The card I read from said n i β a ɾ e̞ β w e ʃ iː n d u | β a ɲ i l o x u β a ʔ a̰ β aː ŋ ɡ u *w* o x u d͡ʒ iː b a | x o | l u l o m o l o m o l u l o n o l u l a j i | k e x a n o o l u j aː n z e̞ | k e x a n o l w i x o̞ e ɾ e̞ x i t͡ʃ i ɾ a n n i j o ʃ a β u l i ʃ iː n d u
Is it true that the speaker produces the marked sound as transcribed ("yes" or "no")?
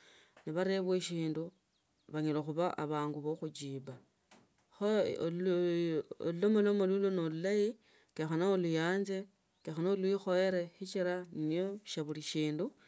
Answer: no